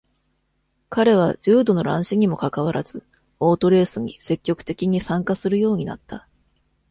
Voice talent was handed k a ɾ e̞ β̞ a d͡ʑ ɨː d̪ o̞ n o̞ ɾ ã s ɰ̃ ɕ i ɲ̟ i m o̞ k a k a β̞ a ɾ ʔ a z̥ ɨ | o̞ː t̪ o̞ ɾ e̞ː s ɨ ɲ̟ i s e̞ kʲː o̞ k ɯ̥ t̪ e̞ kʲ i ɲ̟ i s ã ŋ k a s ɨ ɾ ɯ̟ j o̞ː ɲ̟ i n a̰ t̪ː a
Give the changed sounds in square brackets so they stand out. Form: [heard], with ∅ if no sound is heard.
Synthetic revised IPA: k a ɾ e̞ β̞ a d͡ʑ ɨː d̪ o̞ n o̞ ɾ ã [∅] ɰ̃ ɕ i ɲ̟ i m o̞ k a k a β̞ a ɾ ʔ a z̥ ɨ | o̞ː t̪ o̞ ɾ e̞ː s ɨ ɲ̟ i s e̞ kʲː o̞ k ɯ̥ t̪ e̞ kʲ i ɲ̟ i s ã ŋ k a s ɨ ɾ ɯ̟ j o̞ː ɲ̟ i n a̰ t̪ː a